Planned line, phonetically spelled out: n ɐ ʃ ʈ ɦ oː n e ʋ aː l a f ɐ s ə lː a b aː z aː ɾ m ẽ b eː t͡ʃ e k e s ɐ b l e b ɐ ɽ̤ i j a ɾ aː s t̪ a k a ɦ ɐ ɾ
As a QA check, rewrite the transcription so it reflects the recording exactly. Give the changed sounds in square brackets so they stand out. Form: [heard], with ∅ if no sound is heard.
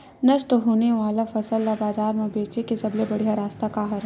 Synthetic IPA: n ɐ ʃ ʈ ɦ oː n e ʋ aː l a f ɐ s ə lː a b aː z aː ɾ m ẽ b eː t͡ʃ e k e s ɐ b l e b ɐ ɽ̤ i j a ɾ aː s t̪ a k a ɦ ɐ ɾ